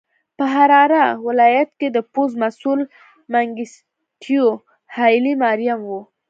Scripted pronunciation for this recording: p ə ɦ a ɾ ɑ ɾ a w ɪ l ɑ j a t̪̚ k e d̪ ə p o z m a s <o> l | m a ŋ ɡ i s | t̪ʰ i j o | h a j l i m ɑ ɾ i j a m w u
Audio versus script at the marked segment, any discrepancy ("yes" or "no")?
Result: yes